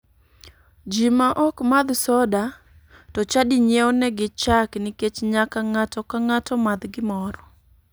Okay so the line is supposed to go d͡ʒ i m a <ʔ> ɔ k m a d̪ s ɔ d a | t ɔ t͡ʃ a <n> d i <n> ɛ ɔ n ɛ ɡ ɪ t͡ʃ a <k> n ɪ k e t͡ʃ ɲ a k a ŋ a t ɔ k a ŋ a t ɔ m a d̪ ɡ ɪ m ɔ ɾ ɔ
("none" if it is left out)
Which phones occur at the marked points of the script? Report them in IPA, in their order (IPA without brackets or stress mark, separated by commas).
ʔ, none, ɲ, k